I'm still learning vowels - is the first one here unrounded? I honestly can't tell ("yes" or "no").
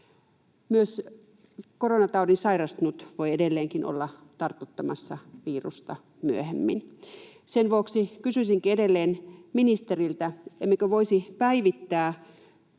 no